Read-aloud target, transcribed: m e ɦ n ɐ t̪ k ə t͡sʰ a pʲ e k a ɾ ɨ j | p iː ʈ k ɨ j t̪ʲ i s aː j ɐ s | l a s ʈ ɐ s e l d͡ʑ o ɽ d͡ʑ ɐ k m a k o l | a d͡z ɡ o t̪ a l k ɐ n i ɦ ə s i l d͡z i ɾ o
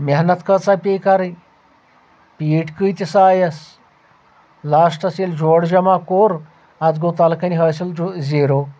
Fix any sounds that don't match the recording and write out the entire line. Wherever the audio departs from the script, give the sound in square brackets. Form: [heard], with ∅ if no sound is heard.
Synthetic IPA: m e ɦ n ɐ t̪ k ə [t͡s] a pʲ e k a ɾ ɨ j | p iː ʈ k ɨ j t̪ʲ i s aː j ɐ s | l a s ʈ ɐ s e l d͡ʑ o ɽ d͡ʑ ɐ [∅] m a k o [ɾ] | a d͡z ɡ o t̪ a l k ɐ n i ɦ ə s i l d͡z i ɾ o